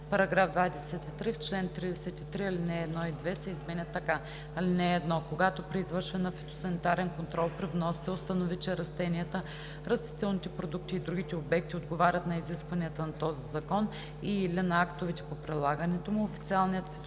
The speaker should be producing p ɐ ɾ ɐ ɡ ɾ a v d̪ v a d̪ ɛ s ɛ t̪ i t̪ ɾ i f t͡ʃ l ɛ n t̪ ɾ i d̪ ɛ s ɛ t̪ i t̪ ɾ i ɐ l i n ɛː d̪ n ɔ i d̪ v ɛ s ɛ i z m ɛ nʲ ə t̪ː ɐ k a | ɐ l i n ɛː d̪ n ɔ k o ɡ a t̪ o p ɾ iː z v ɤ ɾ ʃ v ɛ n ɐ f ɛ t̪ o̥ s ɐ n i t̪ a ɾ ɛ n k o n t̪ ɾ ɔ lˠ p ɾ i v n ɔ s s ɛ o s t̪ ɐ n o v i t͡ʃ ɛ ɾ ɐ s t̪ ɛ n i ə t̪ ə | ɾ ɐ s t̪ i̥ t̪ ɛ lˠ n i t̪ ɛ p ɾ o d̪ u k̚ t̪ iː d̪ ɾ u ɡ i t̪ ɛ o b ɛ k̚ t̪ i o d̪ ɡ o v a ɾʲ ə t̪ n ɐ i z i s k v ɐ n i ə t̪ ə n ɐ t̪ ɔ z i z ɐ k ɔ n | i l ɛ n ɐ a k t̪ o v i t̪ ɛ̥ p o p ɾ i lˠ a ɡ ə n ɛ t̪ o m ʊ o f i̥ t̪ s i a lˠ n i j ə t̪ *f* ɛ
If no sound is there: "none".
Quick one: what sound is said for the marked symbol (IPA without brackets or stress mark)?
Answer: f